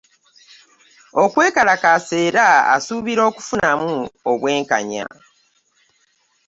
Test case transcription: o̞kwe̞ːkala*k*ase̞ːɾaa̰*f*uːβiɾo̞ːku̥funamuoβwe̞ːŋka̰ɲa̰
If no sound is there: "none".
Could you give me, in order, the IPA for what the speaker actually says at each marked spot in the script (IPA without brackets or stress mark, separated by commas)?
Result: k, s